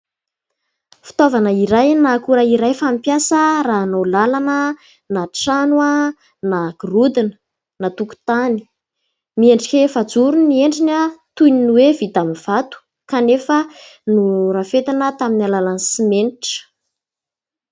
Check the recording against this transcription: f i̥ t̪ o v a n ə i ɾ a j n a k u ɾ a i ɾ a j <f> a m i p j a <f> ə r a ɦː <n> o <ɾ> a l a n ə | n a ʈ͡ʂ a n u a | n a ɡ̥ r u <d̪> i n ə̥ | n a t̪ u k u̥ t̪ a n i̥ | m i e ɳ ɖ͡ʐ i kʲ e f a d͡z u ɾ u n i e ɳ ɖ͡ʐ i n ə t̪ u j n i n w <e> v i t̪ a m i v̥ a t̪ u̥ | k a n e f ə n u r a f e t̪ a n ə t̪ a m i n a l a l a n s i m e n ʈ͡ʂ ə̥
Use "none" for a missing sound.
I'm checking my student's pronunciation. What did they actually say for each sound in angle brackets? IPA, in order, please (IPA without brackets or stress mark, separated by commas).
f, s, n, l, d̪, e